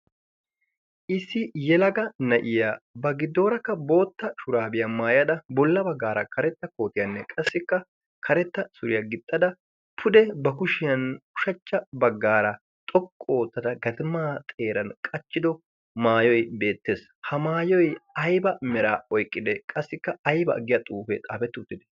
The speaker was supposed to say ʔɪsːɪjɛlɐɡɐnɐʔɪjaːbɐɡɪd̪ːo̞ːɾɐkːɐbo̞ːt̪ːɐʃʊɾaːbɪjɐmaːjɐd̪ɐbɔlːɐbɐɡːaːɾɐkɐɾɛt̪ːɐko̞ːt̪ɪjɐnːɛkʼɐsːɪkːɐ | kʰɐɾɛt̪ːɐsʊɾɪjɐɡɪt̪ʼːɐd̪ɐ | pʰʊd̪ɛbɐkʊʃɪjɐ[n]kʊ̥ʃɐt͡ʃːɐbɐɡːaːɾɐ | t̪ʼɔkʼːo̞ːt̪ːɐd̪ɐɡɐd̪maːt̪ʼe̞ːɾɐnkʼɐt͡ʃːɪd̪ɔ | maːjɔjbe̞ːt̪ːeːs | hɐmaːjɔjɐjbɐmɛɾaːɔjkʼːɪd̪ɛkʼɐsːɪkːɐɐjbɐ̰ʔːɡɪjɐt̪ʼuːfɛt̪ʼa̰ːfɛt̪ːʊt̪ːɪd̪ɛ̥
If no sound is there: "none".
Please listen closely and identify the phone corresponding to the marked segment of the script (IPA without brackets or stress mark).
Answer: n